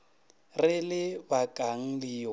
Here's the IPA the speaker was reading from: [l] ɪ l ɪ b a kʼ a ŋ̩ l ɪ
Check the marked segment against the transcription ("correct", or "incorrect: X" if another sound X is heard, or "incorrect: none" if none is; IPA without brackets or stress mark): incorrect: r